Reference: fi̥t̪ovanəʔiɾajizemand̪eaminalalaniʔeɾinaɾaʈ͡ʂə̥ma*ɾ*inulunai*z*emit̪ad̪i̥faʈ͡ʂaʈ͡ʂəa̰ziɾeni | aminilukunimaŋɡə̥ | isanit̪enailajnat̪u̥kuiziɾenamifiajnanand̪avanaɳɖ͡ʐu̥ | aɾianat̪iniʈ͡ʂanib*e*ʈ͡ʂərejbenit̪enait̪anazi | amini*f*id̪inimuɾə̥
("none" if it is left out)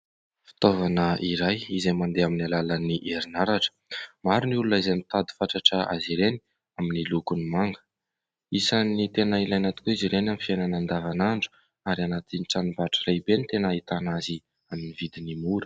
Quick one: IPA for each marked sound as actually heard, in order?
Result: ɾ, z, a, v

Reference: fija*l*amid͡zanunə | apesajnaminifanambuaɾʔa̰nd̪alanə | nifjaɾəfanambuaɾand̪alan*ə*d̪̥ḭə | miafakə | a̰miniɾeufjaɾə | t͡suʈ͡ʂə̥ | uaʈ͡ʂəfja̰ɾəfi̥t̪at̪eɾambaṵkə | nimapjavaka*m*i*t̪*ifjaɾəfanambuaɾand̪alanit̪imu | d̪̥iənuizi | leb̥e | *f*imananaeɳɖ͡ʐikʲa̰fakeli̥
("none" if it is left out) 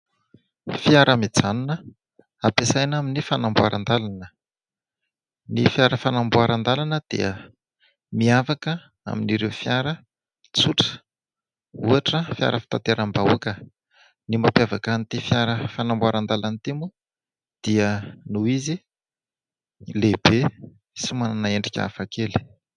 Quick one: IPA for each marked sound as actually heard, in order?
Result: ɾ, ə, n, t̪, s

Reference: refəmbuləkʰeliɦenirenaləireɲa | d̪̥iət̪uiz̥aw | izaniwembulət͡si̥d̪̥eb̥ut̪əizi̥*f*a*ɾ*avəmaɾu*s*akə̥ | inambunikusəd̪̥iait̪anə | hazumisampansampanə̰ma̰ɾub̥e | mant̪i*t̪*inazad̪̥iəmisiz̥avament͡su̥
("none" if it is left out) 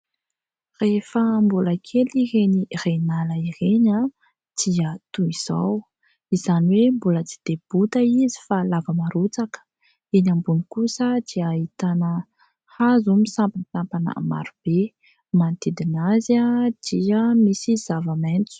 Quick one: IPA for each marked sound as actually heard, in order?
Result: f, l, t͡s, d̪

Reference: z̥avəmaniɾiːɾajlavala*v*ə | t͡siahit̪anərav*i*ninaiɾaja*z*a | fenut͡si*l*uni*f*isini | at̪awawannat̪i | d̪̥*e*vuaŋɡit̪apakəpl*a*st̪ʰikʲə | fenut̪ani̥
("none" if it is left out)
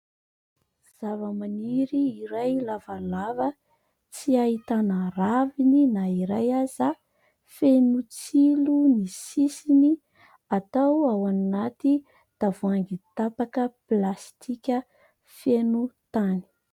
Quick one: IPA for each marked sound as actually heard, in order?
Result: v, i, z, l, s, a, a

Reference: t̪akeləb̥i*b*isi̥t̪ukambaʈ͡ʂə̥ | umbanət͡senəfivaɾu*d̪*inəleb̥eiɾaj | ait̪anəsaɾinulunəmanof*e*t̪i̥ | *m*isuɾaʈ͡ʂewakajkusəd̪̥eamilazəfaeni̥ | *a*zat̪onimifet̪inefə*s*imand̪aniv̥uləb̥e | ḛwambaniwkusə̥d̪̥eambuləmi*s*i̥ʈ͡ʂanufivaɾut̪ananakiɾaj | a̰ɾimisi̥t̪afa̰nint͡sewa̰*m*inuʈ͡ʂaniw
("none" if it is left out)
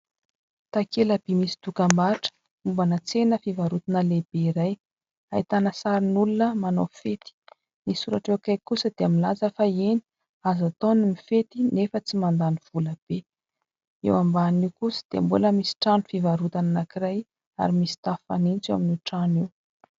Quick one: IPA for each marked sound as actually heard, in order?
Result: m, t̪, e, n, a, t͡s, s, m

